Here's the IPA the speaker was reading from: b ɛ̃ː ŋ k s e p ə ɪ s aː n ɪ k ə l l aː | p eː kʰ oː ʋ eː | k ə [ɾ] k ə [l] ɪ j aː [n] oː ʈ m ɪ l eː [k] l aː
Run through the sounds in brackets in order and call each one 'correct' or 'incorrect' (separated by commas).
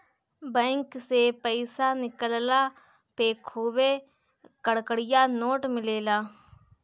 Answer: incorrect, incorrect, correct, incorrect